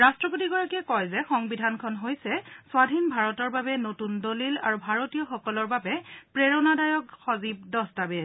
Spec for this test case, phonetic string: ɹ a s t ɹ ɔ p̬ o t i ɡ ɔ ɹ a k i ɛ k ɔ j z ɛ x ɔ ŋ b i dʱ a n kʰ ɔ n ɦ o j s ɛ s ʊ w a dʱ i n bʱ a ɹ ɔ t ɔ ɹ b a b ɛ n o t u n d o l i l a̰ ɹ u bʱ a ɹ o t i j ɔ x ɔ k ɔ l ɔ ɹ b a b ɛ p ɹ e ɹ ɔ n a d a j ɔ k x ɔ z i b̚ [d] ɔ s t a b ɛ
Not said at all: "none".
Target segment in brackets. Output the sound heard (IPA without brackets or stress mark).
d